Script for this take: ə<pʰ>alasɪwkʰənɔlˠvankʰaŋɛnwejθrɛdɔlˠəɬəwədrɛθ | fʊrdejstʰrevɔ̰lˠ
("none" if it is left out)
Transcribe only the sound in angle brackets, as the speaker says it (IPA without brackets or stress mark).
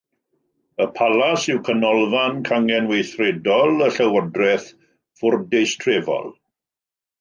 pʰ